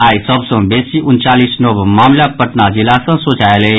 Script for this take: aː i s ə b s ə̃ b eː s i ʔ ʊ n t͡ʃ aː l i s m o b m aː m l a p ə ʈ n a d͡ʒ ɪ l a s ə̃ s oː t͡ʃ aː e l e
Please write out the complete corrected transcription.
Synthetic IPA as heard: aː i s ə b s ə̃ b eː s i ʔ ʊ n t͡ʃ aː l i s n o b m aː m l a p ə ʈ n a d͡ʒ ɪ l a s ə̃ s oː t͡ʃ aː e l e